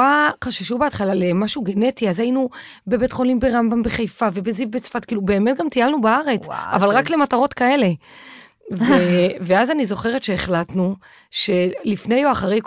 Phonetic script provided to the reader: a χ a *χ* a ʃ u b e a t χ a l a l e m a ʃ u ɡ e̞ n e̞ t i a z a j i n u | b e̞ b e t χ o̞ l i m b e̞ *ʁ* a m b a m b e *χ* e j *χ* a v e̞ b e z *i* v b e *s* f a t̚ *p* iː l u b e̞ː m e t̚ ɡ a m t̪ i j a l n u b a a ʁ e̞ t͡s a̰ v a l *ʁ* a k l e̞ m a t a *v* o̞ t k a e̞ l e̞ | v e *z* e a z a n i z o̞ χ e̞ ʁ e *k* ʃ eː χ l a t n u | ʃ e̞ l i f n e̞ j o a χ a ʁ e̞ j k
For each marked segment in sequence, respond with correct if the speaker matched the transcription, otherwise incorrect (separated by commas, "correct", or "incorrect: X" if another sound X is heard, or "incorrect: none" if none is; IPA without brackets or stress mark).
incorrect: ʃ, correct, correct, incorrect: f, correct, incorrect: t͡s, incorrect: k, correct, incorrect: ʁ, incorrect: v, incorrect: t